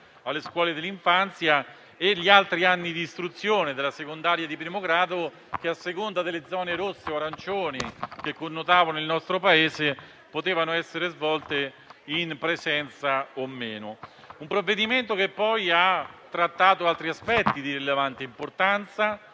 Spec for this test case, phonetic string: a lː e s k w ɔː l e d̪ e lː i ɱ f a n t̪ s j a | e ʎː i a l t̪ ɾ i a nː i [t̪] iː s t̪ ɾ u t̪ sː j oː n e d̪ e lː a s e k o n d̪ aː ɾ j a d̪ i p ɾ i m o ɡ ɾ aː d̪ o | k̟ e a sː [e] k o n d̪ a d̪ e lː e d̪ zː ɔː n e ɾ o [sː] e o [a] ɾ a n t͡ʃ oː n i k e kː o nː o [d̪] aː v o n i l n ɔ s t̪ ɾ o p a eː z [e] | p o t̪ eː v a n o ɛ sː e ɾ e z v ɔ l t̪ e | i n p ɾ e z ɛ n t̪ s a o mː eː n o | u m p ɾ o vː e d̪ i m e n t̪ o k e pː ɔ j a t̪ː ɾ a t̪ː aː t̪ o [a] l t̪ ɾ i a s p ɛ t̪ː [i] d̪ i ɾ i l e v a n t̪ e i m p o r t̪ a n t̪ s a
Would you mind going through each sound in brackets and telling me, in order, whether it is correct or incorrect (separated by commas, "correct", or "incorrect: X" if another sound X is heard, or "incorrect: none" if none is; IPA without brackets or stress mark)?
incorrect: d̪, correct, correct, correct, incorrect: t̪, correct, correct, correct